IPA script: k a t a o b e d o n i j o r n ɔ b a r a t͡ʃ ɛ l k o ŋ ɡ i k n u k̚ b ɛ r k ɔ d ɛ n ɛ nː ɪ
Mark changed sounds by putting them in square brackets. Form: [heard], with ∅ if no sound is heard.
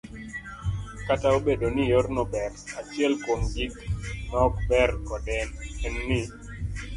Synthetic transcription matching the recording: k a t a o b e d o n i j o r n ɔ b [ɛ] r a t͡ʃ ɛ l k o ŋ ɡ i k n [ɔ] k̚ b ɛ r k ɔ d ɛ n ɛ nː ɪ